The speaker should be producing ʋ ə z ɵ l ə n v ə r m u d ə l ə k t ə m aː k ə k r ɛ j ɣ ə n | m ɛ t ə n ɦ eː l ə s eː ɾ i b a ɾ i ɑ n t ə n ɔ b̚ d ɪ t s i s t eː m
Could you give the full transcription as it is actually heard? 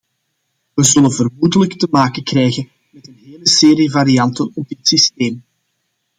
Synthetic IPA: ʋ ə z ɵ l ə n v ə r m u d ə l ə k t ə m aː k ə k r ɛ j ɣ ə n | m ɛ t ə n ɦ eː l ə s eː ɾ i v a ɾ i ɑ n t ə n ɔ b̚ d ɪ t s i s t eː m